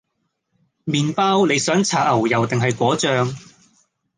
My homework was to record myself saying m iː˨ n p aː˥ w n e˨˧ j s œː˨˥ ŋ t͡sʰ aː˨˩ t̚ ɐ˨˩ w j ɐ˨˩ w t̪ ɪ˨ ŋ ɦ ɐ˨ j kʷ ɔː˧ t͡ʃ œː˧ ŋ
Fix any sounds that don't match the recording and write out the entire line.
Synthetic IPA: m iː˨ n p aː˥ w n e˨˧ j s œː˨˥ ŋ t͡sʰ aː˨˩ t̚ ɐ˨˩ w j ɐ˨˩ w t̪ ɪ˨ ŋ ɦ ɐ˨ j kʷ ɔː˨˥ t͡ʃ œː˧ ŋ